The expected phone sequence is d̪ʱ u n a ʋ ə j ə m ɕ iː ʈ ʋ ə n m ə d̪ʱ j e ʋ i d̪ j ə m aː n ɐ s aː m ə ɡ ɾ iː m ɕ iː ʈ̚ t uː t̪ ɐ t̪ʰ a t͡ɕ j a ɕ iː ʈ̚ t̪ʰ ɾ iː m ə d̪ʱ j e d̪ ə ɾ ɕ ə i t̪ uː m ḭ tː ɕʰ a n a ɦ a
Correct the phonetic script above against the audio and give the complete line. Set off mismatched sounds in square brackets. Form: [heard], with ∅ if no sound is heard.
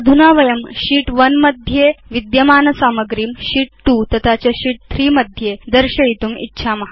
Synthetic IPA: d̪ʱ u n a ʋ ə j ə m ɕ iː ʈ ʋ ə n m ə d̪ʱ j e ʋ i d̪ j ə m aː n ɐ s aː m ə ɡ ɾ iː m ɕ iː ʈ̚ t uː t̪ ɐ t̪ʰ a t͡ɕ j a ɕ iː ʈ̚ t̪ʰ ɾ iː m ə d̪ʱ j e d̪ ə ɾ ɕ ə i t̪ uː m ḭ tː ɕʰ a [m] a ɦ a